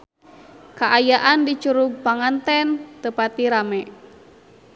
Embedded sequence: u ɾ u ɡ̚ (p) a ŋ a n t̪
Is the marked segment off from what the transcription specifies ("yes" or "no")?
no